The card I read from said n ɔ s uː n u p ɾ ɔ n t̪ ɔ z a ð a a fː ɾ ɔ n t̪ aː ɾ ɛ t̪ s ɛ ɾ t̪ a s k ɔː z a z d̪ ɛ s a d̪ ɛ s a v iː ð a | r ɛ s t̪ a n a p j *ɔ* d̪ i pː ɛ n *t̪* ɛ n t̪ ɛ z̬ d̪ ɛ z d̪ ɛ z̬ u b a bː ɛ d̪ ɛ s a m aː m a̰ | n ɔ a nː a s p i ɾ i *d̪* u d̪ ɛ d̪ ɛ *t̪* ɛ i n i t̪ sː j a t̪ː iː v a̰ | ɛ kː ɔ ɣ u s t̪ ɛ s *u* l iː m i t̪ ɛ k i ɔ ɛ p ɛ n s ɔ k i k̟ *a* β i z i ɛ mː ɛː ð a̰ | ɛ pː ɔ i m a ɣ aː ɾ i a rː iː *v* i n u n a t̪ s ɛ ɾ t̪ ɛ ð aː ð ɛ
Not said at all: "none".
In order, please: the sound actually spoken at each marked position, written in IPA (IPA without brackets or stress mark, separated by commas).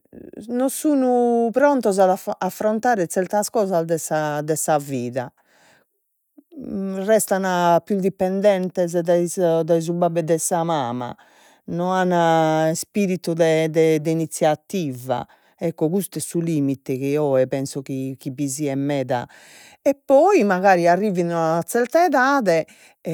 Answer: u, d̪, t̪, d̪, u, i, v